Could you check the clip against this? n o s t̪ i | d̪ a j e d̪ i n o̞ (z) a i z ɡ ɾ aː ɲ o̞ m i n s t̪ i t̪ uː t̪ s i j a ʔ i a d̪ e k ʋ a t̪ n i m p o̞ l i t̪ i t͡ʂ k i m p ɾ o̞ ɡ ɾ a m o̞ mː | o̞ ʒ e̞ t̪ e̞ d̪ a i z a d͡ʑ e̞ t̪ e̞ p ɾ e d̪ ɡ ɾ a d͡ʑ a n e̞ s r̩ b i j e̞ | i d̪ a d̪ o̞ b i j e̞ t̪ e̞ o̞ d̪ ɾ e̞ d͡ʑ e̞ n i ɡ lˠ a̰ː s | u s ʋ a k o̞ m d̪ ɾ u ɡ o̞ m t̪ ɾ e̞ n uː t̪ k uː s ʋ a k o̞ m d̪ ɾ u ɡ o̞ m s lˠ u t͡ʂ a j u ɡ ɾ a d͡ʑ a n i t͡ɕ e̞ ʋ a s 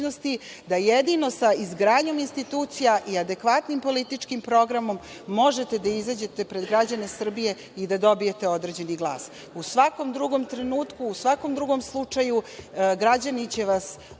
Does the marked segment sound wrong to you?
yes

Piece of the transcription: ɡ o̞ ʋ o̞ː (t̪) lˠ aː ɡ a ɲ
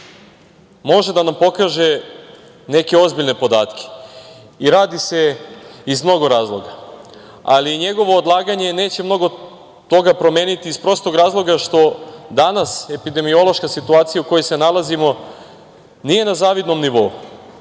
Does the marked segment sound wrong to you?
yes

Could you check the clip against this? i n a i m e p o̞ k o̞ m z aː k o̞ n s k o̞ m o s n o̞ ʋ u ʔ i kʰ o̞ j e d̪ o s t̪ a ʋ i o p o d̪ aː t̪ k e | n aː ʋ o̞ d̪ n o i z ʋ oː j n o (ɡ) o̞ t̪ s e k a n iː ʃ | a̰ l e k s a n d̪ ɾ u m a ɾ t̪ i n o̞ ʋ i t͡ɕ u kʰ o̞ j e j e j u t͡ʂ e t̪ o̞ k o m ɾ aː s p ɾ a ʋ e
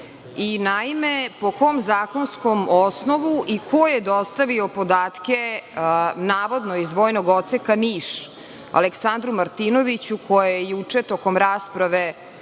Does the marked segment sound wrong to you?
no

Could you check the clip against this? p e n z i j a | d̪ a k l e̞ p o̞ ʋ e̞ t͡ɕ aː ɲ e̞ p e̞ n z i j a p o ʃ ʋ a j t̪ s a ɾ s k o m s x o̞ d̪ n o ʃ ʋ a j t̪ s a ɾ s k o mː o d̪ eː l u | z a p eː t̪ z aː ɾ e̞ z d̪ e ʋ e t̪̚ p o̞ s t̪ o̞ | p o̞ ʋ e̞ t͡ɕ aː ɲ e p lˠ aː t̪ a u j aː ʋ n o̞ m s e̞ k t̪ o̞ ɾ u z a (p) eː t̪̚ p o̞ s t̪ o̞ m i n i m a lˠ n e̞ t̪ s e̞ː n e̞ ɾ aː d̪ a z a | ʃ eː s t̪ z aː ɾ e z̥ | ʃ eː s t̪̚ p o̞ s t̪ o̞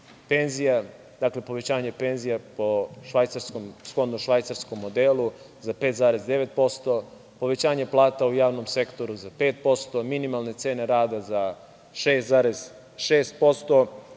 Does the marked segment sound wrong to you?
no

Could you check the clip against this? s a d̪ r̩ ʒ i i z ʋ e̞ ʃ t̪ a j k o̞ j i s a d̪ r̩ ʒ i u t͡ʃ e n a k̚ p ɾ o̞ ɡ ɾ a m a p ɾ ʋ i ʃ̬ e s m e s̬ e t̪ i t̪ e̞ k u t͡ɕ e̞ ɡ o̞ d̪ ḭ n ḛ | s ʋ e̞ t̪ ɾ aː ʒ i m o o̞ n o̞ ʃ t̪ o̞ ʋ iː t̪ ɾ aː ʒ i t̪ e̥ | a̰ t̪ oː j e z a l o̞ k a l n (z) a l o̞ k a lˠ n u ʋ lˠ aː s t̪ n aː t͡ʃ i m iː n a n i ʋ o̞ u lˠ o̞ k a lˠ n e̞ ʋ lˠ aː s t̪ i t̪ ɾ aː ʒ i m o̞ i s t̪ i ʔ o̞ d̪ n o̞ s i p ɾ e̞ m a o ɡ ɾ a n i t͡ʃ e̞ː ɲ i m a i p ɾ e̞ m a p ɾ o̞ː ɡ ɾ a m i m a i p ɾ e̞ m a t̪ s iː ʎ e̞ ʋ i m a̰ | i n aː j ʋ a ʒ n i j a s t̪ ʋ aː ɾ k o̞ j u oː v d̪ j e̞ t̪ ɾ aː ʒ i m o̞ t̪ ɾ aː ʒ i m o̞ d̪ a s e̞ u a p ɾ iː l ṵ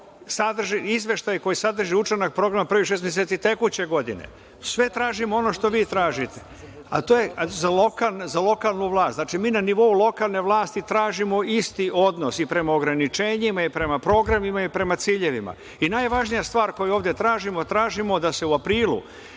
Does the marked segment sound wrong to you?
no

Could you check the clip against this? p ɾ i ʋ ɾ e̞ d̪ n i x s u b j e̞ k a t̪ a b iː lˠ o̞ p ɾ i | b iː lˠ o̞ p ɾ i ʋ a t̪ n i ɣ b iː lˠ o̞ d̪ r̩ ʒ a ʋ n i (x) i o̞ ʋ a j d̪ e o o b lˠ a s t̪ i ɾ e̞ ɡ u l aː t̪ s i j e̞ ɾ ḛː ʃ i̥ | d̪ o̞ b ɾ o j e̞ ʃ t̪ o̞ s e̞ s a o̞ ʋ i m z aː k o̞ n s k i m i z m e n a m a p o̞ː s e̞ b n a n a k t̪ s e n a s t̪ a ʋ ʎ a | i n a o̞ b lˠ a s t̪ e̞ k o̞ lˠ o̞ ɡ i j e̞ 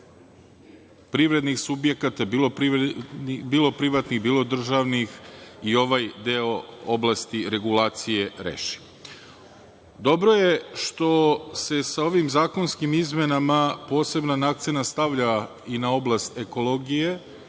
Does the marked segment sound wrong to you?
no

